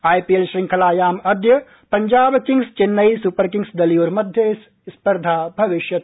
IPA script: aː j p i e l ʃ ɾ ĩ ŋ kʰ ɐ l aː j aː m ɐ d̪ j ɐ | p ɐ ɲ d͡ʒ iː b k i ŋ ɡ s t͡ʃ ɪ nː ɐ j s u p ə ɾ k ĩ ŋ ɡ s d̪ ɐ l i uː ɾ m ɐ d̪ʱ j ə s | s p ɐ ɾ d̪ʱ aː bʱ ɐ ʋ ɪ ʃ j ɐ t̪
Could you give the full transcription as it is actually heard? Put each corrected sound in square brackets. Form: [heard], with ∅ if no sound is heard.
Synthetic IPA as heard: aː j p i e l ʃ ɾ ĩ ŋ kʰ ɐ l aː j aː m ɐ d̪ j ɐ | p ɐ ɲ d͡ʒ [aː] b k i ŋ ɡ s t͡ʃ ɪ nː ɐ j s u p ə ɾ k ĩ ŋ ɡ s d̪ ɐ l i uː ɾ m ɐ d̪ʱ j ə s | s p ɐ ɾ d̪ʱ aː bʱ ɐ ʋ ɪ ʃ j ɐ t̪